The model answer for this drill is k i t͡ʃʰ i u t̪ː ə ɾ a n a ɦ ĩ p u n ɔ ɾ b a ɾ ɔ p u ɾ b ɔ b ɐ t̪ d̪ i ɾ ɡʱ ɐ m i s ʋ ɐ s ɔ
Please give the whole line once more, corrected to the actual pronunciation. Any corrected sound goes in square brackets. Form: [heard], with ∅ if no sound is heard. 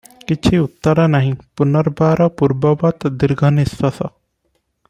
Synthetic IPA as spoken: k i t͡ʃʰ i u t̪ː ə ɾ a n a ɦ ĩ p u n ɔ ɾ b a ɾ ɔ p u ɾ b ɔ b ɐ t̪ d̪ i ɾ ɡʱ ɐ [n] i s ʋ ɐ s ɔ